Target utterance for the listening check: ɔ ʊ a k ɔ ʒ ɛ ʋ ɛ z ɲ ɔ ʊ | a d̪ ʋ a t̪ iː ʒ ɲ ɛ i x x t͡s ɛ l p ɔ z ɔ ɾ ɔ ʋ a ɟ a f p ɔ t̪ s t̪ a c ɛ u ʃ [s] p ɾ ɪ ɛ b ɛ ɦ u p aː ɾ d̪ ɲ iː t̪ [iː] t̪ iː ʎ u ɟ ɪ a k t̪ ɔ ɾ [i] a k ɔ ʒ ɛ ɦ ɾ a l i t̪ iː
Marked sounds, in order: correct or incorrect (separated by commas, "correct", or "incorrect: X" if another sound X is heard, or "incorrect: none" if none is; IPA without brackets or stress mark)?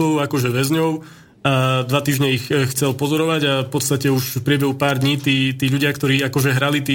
incorrect: f, correct, incorrect: iː